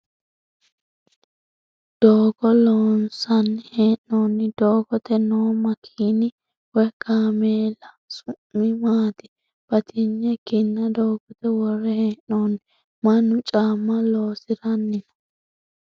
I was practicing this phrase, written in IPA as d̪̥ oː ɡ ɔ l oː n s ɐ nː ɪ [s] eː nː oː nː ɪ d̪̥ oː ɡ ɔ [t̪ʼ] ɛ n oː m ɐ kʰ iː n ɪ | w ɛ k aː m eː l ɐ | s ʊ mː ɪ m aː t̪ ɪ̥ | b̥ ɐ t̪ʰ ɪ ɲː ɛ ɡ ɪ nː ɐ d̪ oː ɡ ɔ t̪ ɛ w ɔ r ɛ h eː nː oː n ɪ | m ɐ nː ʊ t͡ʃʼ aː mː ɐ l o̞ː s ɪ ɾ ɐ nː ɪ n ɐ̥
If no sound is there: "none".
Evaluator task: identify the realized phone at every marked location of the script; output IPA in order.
h, t̪

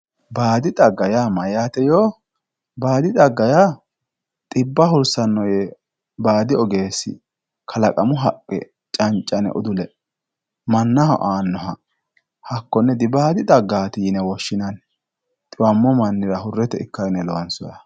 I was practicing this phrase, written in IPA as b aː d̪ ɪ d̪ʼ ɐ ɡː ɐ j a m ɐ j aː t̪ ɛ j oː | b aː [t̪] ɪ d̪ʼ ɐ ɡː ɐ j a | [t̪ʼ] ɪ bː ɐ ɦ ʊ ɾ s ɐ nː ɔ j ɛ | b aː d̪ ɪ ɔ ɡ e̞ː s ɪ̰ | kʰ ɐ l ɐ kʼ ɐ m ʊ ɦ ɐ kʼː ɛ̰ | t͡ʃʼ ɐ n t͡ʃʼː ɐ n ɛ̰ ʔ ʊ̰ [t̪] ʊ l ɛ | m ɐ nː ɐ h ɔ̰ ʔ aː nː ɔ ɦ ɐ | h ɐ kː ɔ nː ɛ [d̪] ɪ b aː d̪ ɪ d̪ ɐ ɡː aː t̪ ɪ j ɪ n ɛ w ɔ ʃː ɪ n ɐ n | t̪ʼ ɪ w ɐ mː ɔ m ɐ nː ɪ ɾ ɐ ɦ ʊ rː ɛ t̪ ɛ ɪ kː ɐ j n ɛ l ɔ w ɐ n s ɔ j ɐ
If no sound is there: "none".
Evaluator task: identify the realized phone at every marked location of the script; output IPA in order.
d̪, t̪ʼ, d̪, d̪

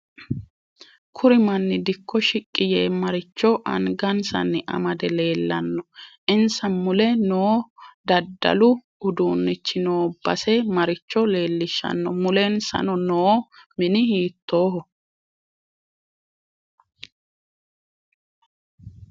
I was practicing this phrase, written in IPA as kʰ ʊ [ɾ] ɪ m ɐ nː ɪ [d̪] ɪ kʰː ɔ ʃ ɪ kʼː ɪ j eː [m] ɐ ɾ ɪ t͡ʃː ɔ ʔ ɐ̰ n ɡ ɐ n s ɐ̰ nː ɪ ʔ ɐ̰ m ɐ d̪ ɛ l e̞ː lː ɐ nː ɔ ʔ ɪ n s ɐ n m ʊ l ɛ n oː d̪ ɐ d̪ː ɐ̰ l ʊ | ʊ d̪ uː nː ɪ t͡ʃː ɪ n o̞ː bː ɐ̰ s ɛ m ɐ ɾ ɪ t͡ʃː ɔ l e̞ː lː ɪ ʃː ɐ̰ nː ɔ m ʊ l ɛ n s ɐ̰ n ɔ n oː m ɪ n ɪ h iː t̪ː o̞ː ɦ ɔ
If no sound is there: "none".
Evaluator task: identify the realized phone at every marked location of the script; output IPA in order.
ɾ, d̪, m

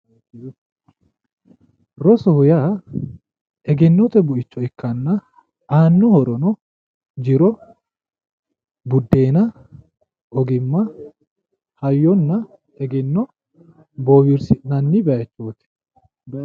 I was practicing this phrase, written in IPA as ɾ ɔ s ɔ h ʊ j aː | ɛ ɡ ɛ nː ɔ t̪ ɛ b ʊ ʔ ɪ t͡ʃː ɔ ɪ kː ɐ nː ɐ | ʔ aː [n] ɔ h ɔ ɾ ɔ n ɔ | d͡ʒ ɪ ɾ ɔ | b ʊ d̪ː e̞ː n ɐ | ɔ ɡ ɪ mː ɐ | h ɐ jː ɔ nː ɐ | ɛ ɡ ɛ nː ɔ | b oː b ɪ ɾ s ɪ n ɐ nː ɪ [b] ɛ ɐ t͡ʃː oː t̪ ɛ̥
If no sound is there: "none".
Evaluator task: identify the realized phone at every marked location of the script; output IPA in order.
nː, b

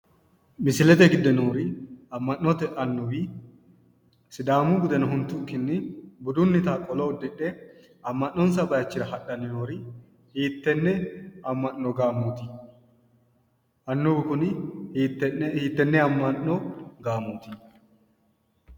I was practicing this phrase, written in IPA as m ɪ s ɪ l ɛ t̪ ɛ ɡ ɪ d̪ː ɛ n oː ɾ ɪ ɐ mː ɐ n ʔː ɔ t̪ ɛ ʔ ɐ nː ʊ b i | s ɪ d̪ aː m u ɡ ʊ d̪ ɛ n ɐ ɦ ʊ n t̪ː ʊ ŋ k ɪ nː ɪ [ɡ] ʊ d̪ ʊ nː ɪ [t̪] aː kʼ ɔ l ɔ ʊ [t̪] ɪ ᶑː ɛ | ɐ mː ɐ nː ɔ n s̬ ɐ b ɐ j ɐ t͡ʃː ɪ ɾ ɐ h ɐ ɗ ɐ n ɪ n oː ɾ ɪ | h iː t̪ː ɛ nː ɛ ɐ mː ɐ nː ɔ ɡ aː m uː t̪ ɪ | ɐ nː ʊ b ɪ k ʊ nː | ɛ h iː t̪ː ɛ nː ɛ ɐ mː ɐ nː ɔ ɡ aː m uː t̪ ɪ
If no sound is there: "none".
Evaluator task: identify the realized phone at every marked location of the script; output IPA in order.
b, t̪, d̪

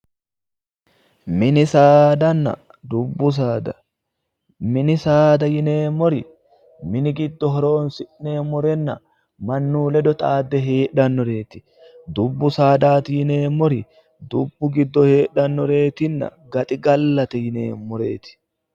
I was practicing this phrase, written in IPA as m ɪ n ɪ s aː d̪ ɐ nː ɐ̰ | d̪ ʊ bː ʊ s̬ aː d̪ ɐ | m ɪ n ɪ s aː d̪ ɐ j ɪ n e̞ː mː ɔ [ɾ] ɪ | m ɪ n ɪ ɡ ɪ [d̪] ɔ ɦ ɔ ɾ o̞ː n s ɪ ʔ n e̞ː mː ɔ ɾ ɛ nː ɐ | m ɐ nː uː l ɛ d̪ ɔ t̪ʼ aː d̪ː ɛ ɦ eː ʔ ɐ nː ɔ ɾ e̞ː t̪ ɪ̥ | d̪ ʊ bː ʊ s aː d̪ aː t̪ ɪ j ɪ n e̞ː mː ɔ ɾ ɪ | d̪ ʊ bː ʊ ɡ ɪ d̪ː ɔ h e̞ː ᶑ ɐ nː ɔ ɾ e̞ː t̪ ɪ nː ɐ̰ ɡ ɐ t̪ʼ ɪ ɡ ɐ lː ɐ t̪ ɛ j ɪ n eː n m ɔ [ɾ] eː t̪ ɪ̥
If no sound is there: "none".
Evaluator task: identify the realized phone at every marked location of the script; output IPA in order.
ɾ, d̪ː, ɾ

